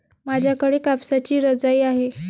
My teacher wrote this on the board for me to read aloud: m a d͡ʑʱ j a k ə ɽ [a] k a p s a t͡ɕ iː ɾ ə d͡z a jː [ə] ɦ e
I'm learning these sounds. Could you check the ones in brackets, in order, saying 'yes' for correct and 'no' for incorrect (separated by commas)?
no, no